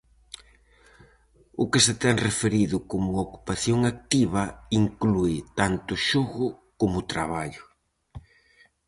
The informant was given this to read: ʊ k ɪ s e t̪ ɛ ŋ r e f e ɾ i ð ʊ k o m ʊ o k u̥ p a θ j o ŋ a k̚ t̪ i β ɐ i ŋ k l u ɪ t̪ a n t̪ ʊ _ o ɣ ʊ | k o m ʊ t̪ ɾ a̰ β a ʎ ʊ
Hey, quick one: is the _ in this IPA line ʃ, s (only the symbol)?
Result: ʃ